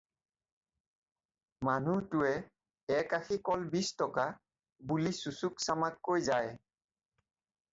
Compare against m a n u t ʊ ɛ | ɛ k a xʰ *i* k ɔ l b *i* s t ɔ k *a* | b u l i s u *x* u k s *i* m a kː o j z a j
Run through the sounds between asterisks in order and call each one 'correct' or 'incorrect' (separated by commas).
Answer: correct, correct, correct, incorrect, incorrect